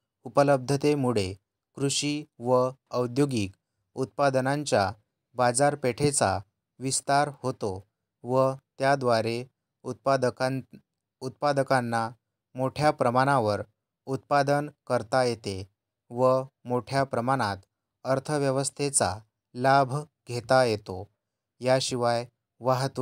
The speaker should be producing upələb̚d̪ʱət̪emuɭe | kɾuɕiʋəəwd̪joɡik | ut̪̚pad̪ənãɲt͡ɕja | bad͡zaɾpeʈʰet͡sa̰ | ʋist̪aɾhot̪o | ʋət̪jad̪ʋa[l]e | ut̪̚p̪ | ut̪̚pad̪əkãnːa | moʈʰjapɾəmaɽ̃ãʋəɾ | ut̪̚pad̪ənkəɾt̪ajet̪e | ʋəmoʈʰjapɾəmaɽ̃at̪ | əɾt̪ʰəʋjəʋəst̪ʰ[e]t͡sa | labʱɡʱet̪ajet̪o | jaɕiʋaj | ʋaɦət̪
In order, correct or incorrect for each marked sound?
incorrect, correct

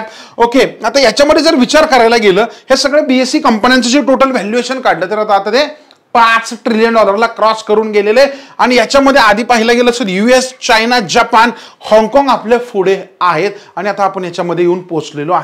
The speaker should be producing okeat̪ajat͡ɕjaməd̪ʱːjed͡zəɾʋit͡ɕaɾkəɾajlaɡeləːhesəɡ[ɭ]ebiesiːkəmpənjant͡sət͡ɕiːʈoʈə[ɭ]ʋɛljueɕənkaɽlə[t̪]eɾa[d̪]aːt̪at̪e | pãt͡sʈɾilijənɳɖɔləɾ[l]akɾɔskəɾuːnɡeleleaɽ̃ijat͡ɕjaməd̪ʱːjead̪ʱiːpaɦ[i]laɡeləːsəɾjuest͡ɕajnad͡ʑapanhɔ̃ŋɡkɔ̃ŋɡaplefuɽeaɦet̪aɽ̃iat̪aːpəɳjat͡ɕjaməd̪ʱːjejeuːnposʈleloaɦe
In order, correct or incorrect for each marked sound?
correct, incorrect, correct, incorrect, correct, correct

